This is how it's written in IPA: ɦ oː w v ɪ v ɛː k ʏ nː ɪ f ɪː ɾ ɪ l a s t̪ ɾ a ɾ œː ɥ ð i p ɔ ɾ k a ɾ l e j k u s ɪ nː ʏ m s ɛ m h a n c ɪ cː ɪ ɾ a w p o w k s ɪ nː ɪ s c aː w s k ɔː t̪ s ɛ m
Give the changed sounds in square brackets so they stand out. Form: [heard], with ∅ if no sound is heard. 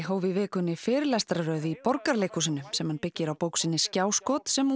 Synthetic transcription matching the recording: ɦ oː w v ɪ v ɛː k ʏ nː ɪ f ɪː ɾ ɪ l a s t̪ ɾ a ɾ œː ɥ ð i p ɔ ɾ k a ɾ l e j k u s ɪ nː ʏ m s ɛ m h a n [p] ɪ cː ɪ ɾ a w p o w k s ɪ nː ɪ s c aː w s k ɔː t̪ s ɛ m